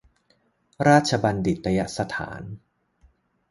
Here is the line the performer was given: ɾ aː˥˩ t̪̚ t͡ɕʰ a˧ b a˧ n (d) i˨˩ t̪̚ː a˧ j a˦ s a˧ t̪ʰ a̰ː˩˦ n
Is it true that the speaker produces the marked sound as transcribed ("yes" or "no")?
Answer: yes